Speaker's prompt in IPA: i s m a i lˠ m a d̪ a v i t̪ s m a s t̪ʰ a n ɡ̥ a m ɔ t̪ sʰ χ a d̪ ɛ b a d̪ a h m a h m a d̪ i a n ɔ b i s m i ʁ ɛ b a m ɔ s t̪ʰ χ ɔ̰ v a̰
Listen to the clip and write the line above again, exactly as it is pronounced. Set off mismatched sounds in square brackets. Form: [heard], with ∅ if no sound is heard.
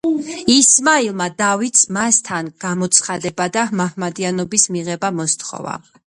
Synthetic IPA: i s m a i lˠ m a d̪ a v i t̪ s m a s t̪ʰ a n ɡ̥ a m ɔ t̪ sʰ χ a d̪ ɛ b a d̪ a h m a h m a d̪ i a n ɔ b i s m i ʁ ɛ b a m ɔ s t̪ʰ χ ɔ̰ v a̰